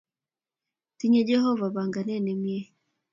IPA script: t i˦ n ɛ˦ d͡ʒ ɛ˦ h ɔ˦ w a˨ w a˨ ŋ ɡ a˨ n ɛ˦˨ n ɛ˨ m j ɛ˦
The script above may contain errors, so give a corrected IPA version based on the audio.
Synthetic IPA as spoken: t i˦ ɲ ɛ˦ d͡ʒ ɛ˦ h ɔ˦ v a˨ β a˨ ŋ ɡ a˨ n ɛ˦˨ n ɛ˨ m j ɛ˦